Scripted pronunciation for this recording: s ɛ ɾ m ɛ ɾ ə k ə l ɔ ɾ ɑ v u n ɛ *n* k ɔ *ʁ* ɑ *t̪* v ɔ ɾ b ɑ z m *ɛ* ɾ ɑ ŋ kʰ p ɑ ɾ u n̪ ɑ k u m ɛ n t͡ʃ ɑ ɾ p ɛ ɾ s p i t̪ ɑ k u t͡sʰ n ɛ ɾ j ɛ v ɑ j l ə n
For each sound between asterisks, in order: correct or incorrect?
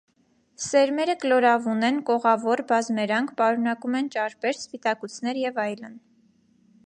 correct, correct, incorrect: none, correct

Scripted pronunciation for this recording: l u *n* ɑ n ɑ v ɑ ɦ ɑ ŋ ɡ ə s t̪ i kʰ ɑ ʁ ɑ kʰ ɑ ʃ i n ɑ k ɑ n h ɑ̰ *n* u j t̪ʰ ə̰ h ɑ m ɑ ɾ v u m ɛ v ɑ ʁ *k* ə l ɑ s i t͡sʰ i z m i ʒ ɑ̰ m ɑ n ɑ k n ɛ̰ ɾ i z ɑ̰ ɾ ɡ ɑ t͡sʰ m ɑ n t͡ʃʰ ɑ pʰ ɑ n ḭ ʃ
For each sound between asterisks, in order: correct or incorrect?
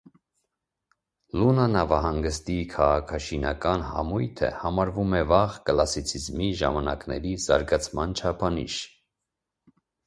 correct, incorrect: m, correct

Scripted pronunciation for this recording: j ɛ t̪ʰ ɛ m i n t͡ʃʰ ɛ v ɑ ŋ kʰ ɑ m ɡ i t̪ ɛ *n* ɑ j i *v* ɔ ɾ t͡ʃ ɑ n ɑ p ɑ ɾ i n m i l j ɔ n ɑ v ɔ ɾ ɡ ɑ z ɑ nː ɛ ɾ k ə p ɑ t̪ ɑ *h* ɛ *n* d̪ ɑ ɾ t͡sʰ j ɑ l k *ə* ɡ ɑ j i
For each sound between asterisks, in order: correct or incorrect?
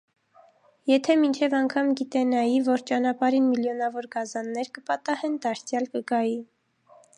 correct, correct, correct, correct, correct

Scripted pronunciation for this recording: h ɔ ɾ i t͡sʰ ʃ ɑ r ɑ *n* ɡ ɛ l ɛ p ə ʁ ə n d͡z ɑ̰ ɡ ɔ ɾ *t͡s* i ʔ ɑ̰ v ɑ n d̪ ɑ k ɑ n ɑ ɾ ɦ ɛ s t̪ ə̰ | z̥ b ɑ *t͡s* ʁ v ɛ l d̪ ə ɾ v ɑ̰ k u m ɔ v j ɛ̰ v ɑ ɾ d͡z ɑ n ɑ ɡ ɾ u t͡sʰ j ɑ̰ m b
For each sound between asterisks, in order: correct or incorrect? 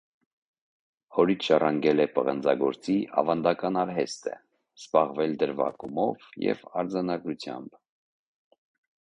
incorrect: ŋ, correct, incorrect: none

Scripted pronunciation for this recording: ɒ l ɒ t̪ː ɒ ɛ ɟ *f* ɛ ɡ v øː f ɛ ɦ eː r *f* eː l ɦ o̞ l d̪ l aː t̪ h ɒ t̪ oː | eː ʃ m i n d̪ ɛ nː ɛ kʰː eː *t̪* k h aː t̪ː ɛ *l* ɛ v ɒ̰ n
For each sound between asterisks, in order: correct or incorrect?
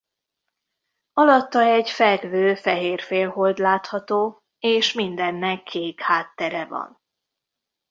correct, correct, incorrect: none, incorrect: ɾ

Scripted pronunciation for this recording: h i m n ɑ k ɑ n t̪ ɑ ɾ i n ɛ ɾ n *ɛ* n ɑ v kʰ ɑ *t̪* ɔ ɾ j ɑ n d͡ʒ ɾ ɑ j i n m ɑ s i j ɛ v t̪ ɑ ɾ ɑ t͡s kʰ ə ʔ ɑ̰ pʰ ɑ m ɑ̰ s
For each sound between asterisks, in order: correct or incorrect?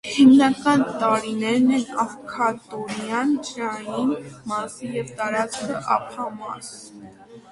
correct, correct

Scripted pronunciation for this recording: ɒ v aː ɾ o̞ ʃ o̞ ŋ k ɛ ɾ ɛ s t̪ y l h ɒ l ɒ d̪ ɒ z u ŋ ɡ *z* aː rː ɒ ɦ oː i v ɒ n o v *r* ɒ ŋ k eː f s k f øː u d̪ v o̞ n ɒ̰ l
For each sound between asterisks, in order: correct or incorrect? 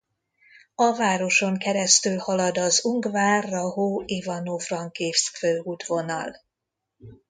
incorrect: v, correct

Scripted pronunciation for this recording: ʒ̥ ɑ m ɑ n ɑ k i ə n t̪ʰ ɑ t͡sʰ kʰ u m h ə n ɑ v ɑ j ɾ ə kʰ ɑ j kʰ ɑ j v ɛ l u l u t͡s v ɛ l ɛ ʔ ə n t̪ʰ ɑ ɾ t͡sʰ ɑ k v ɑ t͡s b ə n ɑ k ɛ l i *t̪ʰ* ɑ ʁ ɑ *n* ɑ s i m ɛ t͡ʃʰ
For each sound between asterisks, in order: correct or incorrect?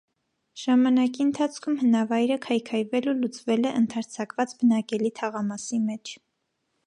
correct, incorrect: m

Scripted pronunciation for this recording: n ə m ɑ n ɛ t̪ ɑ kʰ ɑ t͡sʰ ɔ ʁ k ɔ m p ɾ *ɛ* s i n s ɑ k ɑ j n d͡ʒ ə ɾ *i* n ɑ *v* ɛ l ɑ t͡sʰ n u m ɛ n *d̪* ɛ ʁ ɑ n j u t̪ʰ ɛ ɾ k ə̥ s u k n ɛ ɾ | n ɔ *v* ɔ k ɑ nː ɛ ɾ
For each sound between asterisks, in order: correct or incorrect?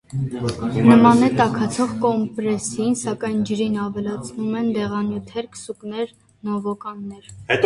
correct, correct, correct, correct, correct

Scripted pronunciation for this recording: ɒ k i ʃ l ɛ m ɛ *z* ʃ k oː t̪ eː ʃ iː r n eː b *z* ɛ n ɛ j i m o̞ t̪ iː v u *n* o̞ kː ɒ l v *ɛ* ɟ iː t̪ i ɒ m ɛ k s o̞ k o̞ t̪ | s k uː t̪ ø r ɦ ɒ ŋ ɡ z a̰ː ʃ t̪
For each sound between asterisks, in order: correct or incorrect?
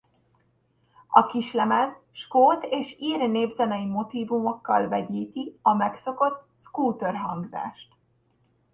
correct, correct, incorrect: m, correct

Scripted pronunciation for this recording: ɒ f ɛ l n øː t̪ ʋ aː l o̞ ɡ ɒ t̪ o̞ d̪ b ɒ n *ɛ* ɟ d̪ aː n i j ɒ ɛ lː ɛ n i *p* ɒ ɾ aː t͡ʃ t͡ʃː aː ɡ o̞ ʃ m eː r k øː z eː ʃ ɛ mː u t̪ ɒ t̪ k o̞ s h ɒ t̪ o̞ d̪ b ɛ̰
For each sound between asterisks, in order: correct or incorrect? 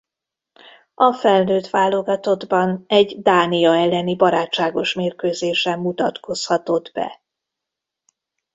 correct, incorrect: b

